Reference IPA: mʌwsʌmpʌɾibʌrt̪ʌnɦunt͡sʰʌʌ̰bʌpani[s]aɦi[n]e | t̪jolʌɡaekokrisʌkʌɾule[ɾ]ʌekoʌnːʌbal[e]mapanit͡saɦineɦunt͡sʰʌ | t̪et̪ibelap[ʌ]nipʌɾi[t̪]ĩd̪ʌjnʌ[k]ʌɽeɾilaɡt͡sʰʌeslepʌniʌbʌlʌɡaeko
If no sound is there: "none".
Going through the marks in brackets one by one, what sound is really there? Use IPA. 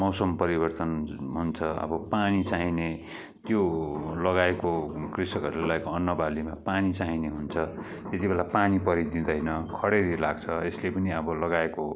t͡s, n, l, i, a, d̪, kʰ

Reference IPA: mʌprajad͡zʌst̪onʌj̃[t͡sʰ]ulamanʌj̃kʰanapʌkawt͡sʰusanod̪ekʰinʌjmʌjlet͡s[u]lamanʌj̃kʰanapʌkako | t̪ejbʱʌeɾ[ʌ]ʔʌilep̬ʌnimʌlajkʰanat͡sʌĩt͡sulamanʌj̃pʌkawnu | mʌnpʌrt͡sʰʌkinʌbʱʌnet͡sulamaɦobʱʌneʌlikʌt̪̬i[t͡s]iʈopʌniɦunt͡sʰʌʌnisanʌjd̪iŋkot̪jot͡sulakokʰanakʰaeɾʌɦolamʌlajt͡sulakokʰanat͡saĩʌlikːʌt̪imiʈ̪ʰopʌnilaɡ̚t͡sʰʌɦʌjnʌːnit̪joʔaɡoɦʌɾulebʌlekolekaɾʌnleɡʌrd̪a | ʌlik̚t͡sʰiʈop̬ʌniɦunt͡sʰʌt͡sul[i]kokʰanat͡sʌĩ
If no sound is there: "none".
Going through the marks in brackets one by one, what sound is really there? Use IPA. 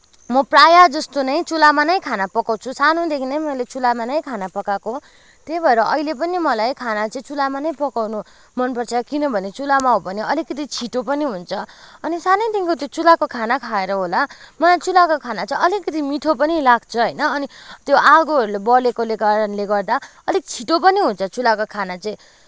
t͡s, u, ʌ, t͡sʰ, a

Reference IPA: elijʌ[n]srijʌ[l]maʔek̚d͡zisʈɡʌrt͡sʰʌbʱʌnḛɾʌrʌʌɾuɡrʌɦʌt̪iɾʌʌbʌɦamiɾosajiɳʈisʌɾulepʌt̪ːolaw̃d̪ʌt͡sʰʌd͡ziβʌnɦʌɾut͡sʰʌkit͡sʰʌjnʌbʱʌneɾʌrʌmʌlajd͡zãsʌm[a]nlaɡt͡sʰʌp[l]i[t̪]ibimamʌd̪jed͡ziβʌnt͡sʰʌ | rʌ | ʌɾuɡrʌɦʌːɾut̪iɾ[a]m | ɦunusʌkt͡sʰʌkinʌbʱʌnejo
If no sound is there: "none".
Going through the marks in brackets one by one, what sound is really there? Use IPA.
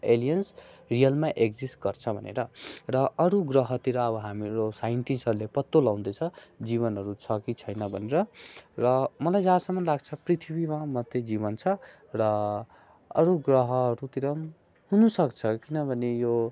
n, l, ʌ, r, t̪ʰ, ʌ

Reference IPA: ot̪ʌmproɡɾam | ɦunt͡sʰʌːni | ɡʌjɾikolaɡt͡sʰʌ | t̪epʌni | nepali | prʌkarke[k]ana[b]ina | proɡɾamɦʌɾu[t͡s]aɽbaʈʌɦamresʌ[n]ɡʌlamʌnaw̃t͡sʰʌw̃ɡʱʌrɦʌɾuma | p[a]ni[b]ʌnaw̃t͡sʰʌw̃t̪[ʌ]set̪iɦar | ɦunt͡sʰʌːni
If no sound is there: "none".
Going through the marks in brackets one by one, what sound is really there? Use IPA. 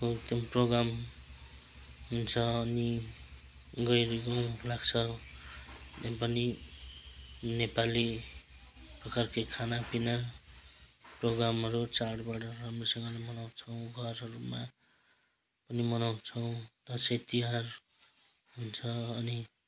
kʰ, p, t͡s, ŋ, ʌ, m, ʌ

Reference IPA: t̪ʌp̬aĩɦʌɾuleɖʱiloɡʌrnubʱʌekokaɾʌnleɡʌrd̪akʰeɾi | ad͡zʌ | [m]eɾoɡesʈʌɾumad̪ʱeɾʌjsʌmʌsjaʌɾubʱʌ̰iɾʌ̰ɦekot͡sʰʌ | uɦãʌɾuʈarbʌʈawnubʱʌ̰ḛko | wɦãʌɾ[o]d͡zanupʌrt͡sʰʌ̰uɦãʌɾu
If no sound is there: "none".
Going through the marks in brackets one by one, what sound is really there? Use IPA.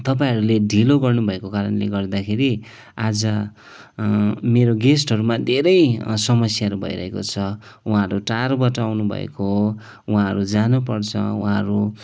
m, u

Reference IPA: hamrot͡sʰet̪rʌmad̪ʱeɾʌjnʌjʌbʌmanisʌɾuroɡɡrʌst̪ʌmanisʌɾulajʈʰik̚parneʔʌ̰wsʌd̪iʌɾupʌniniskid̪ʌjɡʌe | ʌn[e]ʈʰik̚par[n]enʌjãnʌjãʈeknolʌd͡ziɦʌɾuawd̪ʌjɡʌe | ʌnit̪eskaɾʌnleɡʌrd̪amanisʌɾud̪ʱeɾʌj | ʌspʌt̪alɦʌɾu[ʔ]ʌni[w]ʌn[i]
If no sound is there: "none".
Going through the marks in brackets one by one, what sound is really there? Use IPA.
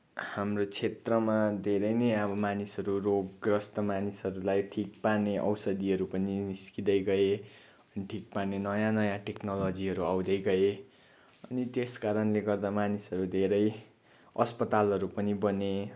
i, n, p, b, e

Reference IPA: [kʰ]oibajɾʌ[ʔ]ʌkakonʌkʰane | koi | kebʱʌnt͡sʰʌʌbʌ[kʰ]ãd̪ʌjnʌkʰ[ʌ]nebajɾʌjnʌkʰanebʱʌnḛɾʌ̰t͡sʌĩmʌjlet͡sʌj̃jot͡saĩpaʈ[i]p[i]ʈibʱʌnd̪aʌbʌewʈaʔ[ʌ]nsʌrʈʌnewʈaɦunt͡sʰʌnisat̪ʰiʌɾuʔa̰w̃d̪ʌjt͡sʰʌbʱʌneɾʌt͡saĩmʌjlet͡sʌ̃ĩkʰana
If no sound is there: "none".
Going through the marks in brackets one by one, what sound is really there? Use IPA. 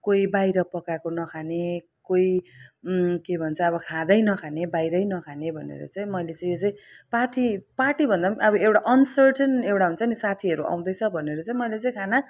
k, p, kʰ, a, i, a, ʌ

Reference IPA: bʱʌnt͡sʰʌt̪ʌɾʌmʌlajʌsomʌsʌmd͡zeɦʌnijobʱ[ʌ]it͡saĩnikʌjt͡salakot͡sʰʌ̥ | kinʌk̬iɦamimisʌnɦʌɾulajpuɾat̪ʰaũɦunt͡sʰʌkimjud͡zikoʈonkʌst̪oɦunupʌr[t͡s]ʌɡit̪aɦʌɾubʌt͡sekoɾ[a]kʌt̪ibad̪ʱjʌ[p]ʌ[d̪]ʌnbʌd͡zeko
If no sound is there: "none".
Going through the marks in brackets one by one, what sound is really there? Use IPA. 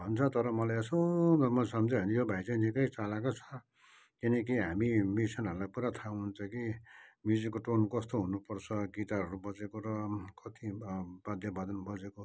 a, t͡sʰ, ʌ, b, d̪

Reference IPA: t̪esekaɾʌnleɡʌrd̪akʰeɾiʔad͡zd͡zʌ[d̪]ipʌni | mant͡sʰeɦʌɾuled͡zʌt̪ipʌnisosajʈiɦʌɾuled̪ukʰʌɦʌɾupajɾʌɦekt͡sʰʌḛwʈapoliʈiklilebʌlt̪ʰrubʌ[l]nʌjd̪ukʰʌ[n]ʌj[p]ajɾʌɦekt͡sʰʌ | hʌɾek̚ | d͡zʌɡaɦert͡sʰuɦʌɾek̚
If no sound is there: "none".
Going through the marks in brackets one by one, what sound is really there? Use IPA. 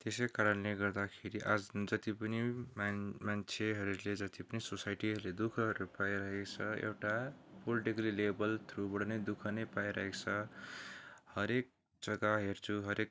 t̪, ɽ, n, p

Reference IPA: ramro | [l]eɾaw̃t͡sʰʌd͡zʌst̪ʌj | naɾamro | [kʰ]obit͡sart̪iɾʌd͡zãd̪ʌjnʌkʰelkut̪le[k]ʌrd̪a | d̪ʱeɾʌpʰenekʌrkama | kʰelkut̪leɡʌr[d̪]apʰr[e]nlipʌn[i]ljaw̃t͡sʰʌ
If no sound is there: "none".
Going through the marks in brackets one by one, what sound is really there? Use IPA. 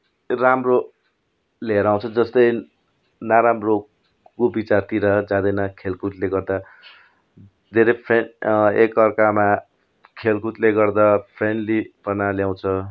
l, k, ɡ, d̪, e, a

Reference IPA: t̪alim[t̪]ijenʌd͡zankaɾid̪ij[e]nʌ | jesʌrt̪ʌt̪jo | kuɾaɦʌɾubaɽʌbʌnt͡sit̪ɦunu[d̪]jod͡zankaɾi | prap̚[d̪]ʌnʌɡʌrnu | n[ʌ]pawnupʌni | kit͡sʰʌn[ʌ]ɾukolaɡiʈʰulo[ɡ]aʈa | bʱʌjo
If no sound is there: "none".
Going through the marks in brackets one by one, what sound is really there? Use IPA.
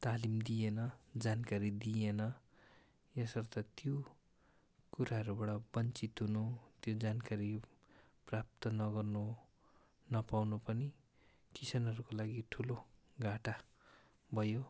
d̪, e, t̪, t̪, ʌ, ʌ, ɡ

